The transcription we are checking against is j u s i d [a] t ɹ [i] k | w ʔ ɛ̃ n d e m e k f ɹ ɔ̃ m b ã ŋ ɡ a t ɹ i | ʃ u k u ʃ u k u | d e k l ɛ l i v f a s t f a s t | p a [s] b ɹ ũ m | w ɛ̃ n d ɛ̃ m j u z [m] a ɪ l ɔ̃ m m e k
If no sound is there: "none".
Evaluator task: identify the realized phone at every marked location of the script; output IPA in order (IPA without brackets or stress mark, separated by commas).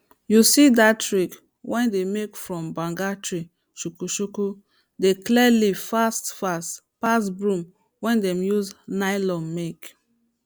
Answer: a, i, s, n